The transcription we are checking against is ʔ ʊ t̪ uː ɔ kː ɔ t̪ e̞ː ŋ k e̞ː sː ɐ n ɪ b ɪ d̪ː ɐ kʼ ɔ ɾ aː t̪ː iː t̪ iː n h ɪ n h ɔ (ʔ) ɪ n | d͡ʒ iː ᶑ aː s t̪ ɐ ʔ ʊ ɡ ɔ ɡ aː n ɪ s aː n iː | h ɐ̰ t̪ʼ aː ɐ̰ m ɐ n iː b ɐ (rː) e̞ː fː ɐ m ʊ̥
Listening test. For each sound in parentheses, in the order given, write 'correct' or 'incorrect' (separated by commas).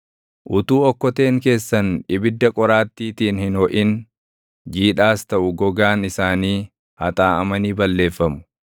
correct, incorrect